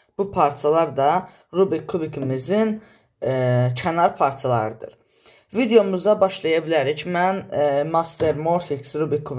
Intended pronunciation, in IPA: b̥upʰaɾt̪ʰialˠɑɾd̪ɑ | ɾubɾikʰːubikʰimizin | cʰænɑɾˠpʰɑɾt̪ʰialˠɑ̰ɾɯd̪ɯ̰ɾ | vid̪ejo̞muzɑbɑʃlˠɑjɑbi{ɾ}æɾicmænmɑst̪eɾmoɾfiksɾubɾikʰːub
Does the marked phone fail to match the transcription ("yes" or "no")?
yes